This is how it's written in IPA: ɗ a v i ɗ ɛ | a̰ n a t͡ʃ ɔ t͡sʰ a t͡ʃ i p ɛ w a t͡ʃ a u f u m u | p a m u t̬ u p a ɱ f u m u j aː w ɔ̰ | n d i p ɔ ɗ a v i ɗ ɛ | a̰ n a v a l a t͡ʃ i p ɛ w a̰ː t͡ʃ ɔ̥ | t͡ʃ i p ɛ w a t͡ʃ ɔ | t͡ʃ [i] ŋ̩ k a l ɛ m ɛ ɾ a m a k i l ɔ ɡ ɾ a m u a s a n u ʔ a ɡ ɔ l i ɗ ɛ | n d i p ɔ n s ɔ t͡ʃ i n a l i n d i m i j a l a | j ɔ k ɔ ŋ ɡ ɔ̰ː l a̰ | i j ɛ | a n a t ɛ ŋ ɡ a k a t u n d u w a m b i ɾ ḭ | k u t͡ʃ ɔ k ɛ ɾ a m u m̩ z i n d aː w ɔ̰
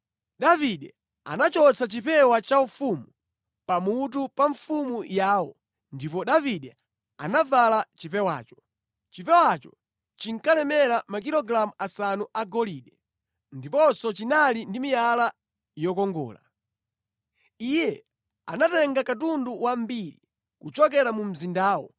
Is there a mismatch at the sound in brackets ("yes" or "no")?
no